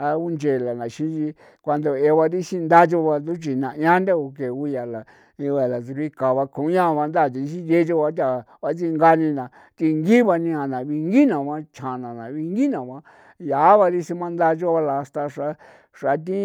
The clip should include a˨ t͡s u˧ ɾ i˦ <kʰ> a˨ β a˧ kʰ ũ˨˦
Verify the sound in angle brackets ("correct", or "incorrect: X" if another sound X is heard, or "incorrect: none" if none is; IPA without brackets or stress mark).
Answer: incorrect: k